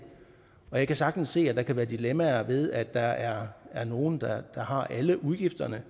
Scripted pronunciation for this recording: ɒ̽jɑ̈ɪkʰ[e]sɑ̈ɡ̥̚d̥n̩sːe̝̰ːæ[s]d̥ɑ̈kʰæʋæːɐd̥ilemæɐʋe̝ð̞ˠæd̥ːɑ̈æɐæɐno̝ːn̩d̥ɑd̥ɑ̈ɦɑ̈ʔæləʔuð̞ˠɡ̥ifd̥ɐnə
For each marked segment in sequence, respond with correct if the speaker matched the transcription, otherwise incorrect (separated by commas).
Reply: incorrect, incorrect